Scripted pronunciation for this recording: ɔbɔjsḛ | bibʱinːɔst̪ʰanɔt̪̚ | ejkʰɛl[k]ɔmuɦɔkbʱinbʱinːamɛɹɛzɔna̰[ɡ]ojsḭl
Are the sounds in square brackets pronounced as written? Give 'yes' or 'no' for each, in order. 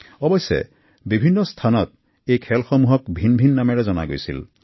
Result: no, yes

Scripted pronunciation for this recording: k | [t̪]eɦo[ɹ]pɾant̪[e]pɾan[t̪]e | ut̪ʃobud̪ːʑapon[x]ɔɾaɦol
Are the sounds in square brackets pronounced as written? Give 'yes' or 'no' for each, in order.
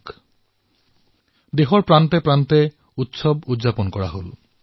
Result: no, no, yes, yes, no

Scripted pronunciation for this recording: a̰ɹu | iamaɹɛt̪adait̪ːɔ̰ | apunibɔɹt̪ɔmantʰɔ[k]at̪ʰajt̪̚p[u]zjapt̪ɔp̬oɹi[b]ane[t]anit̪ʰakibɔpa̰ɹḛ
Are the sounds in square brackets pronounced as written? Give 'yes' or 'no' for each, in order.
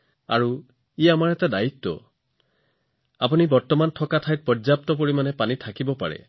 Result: yes, no, no, no

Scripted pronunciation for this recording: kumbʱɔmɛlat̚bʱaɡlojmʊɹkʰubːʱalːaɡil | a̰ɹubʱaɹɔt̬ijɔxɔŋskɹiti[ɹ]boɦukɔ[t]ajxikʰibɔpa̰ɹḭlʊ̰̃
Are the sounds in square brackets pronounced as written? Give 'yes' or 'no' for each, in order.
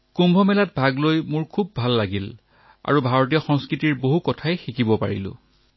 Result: yes, no

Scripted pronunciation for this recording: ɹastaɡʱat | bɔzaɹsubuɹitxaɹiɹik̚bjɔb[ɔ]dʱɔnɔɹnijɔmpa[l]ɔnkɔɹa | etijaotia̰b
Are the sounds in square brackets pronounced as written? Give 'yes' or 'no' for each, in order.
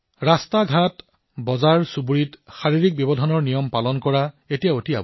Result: yes, yes

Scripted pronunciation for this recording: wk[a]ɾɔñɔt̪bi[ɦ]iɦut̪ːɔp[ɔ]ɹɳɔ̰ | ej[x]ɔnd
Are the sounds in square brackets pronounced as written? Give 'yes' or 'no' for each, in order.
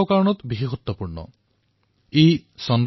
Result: yes, yes, no, no

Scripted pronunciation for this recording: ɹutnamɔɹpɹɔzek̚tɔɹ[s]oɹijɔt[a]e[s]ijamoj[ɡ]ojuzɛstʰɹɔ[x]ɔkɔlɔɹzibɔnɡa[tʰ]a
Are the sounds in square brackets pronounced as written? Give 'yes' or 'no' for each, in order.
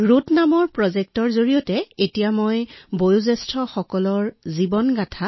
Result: no, no, no, no, yes, yes

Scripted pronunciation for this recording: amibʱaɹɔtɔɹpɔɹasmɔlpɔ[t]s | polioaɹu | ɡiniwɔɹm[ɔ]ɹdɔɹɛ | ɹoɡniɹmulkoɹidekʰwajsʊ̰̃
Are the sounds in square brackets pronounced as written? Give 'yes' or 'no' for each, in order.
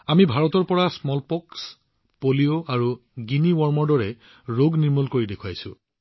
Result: no, yes

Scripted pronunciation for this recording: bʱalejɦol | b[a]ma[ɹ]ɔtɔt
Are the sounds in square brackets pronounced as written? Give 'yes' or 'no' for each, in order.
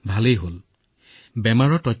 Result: no, yes

